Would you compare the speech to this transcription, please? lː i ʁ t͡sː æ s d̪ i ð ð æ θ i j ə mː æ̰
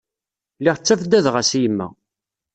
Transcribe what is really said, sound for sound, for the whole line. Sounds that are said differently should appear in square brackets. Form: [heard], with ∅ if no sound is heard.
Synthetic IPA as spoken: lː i ʁ t͡sː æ [f] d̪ [æ] ð [ʁ] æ [s] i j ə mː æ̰